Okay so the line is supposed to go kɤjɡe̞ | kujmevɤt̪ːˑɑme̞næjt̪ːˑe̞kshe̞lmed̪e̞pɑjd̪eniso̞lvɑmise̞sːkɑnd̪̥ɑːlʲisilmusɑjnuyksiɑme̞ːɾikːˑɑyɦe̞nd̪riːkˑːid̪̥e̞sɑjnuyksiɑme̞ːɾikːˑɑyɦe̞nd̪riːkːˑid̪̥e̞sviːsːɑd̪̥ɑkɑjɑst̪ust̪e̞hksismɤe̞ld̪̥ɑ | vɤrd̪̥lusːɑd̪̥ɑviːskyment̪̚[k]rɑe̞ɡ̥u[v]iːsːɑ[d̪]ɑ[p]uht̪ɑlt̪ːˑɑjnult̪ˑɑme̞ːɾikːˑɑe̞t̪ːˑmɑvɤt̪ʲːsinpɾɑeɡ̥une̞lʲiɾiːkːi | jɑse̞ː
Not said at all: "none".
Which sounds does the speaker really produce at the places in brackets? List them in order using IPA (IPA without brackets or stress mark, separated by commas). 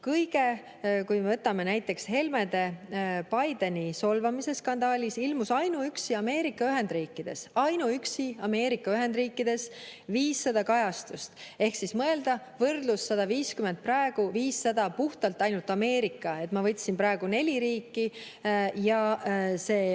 p, v, d̪, p